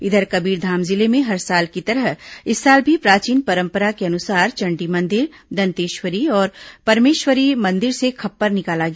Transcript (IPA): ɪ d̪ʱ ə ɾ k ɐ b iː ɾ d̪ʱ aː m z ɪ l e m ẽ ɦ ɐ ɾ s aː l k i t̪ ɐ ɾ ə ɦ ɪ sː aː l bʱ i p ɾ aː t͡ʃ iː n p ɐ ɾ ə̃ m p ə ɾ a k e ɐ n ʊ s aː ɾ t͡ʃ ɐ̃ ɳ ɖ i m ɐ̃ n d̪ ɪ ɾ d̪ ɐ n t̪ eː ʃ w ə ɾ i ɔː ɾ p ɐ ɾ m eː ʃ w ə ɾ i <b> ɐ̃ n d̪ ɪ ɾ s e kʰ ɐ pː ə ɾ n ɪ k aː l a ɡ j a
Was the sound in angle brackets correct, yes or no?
no